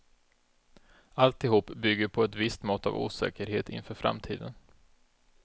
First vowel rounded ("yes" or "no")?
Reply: no